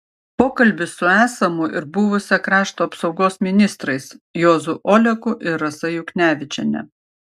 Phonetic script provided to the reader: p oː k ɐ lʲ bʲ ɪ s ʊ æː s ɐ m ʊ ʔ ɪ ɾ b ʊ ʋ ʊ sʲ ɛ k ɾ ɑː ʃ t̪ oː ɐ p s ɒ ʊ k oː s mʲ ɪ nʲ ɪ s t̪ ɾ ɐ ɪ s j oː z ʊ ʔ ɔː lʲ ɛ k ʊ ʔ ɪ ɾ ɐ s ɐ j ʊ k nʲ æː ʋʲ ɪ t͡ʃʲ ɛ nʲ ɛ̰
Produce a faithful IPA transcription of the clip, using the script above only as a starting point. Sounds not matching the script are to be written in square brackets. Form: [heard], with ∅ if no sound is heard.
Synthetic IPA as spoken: p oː k ɐ lʲ bʲ ɪ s ʊ æː s ɐ m ʊ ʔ ɪ ɾ b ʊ ʋ ʊ sʲ ɛ k ɾ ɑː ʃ t̪ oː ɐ p s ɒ ʊ [ɡ] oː s mʲ ɪ nʲ ɪ s t̪ ɾ ɐ ɪ s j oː z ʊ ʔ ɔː lʲ ɛ k ʊ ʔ ɪ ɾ ɐ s ɐ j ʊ k nʲ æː ʋʲ ɪ t͡ʃʲ ɛ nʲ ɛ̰